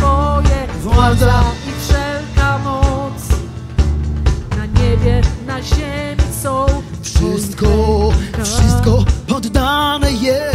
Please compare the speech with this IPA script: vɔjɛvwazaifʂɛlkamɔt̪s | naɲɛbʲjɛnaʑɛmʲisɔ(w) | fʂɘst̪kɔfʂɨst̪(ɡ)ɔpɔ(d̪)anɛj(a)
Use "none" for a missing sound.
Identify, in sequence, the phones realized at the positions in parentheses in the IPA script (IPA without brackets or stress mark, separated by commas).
w, k, d̪ː, ɛ